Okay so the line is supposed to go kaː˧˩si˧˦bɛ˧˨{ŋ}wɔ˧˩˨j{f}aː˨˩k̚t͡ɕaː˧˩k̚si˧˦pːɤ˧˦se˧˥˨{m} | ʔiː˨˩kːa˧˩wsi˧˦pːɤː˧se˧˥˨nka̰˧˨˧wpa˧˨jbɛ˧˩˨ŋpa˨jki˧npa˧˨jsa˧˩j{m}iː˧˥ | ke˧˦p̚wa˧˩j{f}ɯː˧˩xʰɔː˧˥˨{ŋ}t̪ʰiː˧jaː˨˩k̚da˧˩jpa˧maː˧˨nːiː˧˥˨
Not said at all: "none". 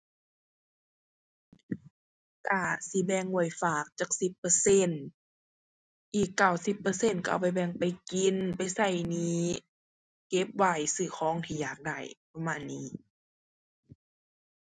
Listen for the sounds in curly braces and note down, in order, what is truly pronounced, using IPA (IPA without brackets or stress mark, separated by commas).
ŋ, f, n, n, s, ŋ